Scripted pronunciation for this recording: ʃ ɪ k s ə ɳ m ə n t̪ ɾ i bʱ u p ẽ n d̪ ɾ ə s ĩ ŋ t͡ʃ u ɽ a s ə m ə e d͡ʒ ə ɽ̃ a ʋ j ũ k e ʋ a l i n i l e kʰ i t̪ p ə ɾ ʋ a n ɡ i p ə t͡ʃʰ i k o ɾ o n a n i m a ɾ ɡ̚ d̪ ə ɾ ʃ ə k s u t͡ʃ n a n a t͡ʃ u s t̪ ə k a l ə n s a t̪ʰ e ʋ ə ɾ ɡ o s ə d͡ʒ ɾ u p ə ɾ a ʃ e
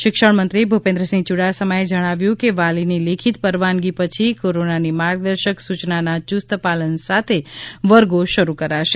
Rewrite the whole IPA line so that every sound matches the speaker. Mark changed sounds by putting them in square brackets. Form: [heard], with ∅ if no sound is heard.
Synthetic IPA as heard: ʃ ɪ k [ʃ] ə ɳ m ə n t̪ ɾ i bʱ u p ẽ n d̪ ɾ ə s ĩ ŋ t͡ʃ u ɽ a s ə m ə e d͡ʒ ə ɽ̃ a ʋ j ũ k e ʋ a l i n i l e kʰ i t̪ p ə ɾ ʋ a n ɡ i p ə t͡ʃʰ i k o ɾ o n a n i m a ɾ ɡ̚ d̪ ə ɾ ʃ ə k s u t͡ʃ n a n a t͡ʃ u s t̪ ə [p] a l ə n s a t̪ʰ e ʋ ə ɾ ɡ o [ʃ] ə [∅] ɾ u [k] ə ɾ a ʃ e

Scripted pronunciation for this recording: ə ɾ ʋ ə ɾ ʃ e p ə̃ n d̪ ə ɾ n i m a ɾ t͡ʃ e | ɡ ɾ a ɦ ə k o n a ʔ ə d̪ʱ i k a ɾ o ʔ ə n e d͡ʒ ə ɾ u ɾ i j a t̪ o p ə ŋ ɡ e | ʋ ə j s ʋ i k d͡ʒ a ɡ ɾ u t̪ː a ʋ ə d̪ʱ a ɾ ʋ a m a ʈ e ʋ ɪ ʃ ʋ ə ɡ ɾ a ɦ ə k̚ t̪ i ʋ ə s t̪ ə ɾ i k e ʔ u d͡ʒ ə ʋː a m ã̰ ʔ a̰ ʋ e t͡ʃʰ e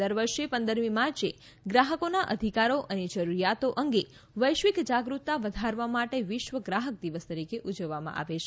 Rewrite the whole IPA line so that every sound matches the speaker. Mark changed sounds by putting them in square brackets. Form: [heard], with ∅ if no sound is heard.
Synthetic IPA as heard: ə ɾ ʋ ə ɾ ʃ e p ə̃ n d̪ ə ɾ [m] i m a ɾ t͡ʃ e | ɡ ɾ a ɦ ə k o n a ʔ ə d̪ʱ i k a ɾ o ʔ ə n e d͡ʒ ə ɾ u ɾ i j a t̪ o [ʔ] ə ŋ ɡ e | ʋ ə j [ʃ] ʋ i k d͡ʒ a ɡ ɾ u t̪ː a ʋ ə d̪ʱ a ɾ ʋ a m a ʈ e ʋ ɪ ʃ ʋ ə ɡ ɾ a ɦ ə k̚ [d̪] i ʋ ə s t̪ ə ɾ i k e ʔ u d͡ʒ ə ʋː a m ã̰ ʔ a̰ ʋ e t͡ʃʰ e

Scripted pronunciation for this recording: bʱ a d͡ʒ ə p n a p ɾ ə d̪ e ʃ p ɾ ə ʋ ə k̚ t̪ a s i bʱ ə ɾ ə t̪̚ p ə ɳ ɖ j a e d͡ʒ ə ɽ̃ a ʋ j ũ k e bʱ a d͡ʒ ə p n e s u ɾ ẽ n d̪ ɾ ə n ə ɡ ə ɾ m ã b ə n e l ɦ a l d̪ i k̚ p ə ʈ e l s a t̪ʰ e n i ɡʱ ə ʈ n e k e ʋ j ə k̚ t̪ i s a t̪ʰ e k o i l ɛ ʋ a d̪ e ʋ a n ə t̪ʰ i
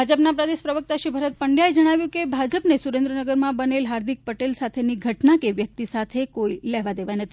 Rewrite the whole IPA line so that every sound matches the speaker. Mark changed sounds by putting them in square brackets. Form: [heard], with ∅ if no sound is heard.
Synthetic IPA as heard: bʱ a d͡ʒ ə p n a p ɾ ə d̪ e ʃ p ɾ ə ʋ ə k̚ t̪ a [ʃ] i bʱ ə ɾ ə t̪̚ p ə ɳ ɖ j a e d͡ʒ ə ɽ̃ a ʋ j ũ k e bʱ a d͡ʒ ə p n e s u ɾ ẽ n d̪ ɾ ə n ə ɡ ə ɾ m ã b ə n e l ɦ a [ɾ] d̪ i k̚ p ə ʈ e l s a t̪ʰ e n i ɡʱ ə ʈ n [a] k e ʋ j ə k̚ t̪ i s a t̪ʰ e k o i l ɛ ʋ a d̪ e ʋ a n ə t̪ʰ i

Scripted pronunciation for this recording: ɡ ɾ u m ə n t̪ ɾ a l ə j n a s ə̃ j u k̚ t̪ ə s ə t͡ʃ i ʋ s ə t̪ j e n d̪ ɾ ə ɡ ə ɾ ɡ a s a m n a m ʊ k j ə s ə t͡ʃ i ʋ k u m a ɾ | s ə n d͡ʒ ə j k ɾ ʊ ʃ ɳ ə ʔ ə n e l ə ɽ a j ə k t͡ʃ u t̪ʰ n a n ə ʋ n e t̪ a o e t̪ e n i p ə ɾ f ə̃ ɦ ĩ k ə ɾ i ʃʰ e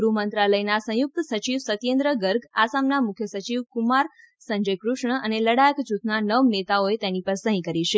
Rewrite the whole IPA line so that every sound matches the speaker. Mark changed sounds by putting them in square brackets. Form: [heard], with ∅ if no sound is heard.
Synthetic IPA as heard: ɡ ɾ u m ə n t̪ ɾ a l ə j n a s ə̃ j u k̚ t̪ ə s ə t͡ʃ i ʋ s ə t̪ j e n d̪ ɾ ə ɡ ə ɾ ɡ a s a m n a m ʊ [kʰ] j ə s ə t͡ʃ i ʋ k u m a ɾ | s ə [ɲ] d͡ʒ ə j k ɾ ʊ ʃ ɳ ə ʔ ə n e l ə ɽ a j ə k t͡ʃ u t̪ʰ n a n ə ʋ n e t̪ a o e t̪ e n i p ə ɾ [s] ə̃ ɦ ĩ k ə ɾ i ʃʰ e

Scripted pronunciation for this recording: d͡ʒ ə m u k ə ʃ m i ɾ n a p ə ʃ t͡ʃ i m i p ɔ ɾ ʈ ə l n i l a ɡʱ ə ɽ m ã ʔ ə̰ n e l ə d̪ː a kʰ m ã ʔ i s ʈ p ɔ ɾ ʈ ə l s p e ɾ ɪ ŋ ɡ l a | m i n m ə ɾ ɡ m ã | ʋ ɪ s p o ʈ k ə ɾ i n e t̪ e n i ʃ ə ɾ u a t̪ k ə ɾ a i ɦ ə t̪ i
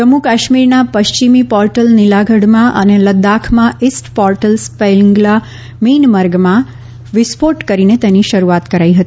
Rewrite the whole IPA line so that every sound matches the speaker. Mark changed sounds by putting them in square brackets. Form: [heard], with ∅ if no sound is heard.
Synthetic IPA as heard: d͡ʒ ə m u k [a] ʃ m i ɾ n a p ə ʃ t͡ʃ i m i p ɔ ɾ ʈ ə l n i l a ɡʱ ə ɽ m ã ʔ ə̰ n e l ə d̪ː a kʰ m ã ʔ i s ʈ p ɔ ɾ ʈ ə l s p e [l] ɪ ŋ ɡ l a | m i n m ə ɾ ɡ m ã | ʋ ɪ s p o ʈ k ə ɾ i n e t̪ e n i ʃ ə ɾ u a t̪ k ə ɾ a i ɦ ə t̪ i

